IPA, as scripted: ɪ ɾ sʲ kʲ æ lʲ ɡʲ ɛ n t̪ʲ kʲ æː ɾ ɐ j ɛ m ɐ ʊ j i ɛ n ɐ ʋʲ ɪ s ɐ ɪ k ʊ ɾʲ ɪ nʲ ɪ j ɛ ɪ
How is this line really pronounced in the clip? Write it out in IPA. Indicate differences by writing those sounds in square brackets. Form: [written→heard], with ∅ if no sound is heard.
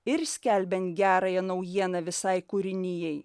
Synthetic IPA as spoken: ɪ ɾ sʲ kʲ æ lʲ [ɡʲ→bʲ] ɛ n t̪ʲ [kʲ→ɡʲ] æː ɾ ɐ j ɛ [m→n] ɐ ʊ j i ɛ n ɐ ʋʲ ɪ s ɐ ɪ k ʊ ɾʲ ɪ nʲ ɪ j ɛ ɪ